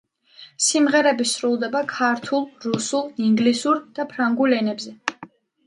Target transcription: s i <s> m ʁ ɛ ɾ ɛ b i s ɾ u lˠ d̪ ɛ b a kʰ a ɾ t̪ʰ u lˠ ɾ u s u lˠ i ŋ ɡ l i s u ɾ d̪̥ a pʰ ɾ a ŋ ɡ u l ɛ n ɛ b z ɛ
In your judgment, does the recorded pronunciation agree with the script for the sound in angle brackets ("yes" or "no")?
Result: no